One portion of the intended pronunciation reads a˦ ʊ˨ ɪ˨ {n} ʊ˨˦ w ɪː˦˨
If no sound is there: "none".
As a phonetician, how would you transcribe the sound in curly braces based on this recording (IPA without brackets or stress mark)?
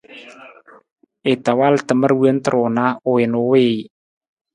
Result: n